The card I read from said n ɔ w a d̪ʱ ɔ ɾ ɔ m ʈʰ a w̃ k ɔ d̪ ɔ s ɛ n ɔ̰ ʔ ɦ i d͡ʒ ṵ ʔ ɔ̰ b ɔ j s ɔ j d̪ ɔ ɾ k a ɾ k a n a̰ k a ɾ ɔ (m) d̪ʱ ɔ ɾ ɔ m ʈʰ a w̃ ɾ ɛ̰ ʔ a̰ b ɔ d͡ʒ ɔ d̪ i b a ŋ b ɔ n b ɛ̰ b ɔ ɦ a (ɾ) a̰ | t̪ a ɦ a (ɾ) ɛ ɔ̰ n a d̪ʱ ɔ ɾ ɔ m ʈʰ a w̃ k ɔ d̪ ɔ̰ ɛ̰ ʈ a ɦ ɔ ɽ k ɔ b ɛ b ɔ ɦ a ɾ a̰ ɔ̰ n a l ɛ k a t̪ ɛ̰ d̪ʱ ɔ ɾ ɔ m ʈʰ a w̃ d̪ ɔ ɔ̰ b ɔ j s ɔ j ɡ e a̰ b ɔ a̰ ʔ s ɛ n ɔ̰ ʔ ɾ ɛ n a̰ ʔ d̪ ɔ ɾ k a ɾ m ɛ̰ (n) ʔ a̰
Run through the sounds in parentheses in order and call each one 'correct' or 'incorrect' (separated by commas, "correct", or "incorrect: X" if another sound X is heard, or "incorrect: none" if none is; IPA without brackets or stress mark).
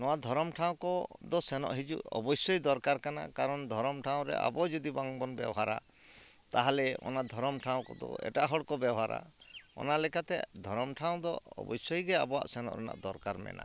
incorrect: n, correct, incorrect: l, correct